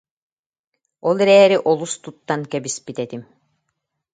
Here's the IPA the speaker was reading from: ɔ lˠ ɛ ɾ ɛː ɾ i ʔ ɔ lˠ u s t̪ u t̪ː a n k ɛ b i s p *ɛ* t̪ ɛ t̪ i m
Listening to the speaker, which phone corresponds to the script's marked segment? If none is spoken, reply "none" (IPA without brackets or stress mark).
i